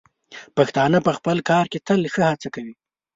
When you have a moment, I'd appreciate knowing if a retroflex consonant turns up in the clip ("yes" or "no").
no